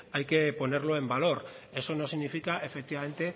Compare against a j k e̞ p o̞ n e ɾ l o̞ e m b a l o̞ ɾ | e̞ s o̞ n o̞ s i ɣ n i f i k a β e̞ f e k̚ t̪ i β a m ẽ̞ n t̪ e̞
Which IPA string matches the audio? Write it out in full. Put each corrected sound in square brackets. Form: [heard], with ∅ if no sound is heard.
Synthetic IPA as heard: a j k e̞ p o̞ n e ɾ l o̞ e m b a l o̞ ɾ | e̞ s o̞ n o̞ s i ɣ n i f i k a [∅] e̞ f e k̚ t̪ i β a m [e̞] n t̪ e̞